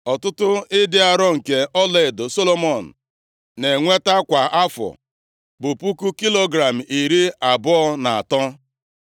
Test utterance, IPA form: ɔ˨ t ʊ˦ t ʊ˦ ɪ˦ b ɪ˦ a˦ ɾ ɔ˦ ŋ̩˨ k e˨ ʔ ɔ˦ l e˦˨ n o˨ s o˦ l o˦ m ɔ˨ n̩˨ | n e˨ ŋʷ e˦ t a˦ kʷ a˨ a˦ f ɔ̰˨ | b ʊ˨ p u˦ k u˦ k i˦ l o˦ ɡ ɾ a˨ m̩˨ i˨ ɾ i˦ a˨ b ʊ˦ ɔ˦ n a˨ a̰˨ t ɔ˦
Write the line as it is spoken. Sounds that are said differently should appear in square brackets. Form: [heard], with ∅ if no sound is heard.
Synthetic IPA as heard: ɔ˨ t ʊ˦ t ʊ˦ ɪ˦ [d] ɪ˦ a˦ ɾ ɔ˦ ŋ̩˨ k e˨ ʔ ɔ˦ l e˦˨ [d] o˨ s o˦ l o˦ m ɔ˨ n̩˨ | n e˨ ŋʷ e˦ t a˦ kʷ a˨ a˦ f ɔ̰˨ | b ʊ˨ p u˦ k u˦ k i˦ l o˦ ɡ ɾ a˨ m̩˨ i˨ ɾ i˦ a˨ b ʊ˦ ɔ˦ n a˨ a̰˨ t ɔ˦

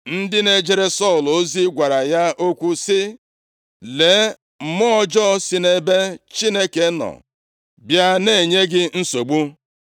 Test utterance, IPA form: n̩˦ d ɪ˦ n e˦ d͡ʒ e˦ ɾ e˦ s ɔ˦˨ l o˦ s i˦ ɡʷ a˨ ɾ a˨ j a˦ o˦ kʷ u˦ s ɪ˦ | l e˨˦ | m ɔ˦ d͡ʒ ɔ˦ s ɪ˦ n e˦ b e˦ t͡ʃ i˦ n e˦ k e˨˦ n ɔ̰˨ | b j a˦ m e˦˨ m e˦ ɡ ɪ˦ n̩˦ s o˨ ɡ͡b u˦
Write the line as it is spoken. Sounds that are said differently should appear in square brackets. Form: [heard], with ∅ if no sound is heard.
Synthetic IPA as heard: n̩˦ d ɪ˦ n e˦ d͡ʒ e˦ ɾ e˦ s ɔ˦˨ l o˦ [z] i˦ ɡʷ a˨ ɾ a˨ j a˦ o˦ kʷ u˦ s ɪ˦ | l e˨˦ | m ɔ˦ d͡ʒ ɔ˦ s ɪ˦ n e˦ b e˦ t͡ʃ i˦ n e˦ k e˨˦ n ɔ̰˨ | b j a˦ [n] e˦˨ [ɲ] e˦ ɡ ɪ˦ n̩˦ s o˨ ɡ͡b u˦

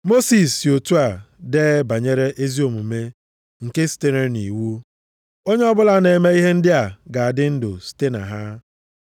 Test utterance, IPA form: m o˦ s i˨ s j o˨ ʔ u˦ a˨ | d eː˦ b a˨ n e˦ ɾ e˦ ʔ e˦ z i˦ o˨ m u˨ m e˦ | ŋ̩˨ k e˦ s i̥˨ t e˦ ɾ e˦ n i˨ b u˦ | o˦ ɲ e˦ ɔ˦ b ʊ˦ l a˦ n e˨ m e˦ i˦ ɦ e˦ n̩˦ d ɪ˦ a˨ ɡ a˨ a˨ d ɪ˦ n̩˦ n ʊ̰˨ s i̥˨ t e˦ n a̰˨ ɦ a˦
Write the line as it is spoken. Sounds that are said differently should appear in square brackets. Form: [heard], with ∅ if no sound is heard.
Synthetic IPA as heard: m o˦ s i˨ s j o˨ [t] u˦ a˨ | d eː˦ b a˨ [ɲ] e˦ ɾ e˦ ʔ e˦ z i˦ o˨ m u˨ m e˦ | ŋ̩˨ k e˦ s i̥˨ t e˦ ɾ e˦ n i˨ [w] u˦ | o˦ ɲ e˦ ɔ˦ b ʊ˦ l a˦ n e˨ m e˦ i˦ ɦ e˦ n̩˦ d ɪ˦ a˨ ɡ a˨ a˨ d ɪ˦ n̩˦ [d] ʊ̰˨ s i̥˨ t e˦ n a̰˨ ɦ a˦

